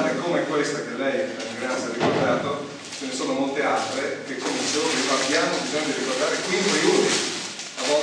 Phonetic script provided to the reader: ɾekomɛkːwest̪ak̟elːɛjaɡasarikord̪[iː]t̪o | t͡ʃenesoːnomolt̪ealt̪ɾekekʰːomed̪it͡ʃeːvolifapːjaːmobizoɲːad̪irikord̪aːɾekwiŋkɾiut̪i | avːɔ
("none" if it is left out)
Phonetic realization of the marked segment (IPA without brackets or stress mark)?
aː